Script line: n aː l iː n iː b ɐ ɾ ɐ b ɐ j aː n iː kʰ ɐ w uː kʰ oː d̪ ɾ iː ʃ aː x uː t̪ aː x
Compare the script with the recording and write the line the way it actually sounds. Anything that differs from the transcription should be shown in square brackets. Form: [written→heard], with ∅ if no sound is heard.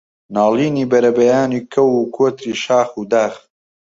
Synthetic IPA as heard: n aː l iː n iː b ɐ ɾ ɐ b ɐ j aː n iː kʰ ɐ w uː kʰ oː [d̪→t̪] ɾ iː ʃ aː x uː [t̪→d̪] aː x